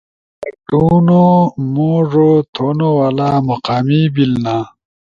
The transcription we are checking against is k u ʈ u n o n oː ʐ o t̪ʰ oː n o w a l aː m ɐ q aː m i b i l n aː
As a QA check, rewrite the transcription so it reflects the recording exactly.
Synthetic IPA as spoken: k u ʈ u n o m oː ʐ o t̪ʰ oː n o w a l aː m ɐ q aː m i b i l n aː